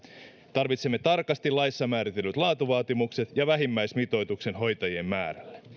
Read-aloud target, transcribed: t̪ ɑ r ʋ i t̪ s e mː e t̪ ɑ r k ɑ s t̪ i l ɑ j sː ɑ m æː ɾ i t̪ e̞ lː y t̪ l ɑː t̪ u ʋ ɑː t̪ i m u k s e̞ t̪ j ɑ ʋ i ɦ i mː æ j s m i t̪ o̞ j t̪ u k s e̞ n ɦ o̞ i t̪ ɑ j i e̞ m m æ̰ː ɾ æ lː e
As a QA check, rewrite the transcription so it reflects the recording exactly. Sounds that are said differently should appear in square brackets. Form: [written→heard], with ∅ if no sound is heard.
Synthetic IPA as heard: t̪ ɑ r ʋ i t̪ s e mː e t̪ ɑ r k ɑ s t̪ i l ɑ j sː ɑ m æː ɾ i t̪ e̞ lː y t̪ l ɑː t̪ u ʋ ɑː t̪ i m u k s e̞ t̪ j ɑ ʋ [i→æ] ɦ i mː æ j s m i t̪ o̞ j t̪ u k s e̞ n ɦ o̞ [i→j] t̪ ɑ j i e̞ m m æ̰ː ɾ æ lː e